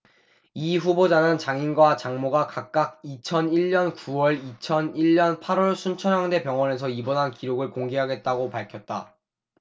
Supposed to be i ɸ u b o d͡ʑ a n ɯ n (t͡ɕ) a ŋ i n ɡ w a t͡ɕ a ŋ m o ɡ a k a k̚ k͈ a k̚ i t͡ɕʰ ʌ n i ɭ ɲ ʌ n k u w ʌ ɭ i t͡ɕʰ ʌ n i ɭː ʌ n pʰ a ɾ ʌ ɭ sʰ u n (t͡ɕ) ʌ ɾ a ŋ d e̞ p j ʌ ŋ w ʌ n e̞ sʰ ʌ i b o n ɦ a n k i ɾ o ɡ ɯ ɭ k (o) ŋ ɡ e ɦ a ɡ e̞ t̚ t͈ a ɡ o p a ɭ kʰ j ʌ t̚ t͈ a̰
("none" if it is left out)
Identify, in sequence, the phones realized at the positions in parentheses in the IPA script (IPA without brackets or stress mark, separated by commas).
t͡ɕ, t͡ɕʰ, o